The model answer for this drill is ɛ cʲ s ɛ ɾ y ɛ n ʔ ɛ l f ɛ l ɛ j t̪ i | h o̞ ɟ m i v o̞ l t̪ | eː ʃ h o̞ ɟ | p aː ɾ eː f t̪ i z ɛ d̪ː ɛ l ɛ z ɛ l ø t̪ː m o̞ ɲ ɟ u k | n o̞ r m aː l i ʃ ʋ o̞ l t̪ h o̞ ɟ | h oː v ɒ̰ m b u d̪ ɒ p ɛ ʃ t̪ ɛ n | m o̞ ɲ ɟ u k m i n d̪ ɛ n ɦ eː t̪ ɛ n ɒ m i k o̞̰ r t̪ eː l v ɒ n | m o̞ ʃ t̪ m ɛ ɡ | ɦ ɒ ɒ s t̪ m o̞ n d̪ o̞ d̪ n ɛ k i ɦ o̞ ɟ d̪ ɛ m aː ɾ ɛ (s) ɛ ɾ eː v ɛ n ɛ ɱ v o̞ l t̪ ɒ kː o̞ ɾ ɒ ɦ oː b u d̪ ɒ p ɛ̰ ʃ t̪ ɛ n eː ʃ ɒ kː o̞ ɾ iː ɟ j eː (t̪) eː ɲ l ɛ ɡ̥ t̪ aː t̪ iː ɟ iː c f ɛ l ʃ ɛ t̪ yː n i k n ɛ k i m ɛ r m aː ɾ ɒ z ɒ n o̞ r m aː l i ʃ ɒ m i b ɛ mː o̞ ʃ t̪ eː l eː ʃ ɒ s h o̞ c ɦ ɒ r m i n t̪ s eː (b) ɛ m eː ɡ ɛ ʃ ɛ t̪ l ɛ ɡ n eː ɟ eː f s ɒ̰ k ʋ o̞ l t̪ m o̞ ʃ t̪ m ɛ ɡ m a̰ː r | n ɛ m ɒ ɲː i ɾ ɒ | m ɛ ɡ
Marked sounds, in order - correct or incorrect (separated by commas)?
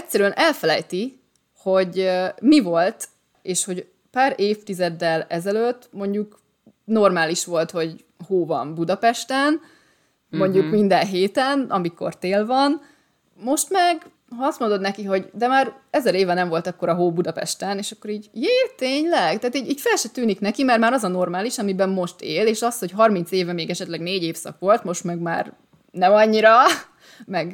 incorrect, correct, incorrect